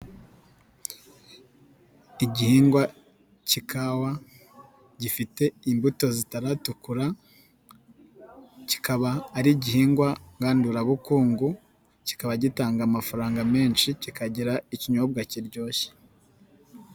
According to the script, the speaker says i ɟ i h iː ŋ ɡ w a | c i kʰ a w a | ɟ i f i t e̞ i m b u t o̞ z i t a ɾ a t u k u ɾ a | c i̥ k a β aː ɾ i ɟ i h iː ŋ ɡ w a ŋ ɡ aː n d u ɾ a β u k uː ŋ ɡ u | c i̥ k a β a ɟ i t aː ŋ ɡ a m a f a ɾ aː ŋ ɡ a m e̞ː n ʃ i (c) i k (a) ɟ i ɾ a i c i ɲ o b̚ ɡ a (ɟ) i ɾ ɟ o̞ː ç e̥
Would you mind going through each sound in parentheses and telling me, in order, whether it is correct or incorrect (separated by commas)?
correct, correct, incorrect